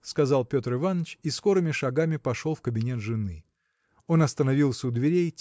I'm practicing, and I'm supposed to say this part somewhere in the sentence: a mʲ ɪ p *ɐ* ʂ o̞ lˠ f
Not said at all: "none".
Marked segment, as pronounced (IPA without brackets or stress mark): ɐ